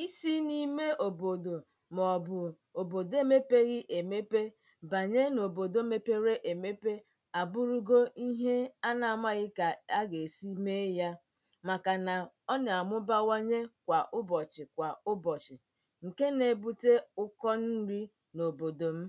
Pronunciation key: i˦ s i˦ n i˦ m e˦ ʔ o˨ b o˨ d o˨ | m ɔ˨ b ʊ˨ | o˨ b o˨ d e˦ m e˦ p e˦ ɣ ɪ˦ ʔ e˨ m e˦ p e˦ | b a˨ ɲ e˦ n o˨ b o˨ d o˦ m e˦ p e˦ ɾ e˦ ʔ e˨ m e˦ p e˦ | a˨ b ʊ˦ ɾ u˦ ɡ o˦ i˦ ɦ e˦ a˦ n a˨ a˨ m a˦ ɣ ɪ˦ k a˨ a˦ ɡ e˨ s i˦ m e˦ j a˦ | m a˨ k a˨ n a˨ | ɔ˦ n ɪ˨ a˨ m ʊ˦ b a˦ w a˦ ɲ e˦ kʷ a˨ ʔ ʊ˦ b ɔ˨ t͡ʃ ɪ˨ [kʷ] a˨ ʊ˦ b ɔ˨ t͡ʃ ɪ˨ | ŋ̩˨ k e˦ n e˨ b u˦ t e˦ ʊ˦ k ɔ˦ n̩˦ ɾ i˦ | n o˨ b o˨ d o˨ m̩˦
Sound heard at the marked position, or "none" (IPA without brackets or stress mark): kʷ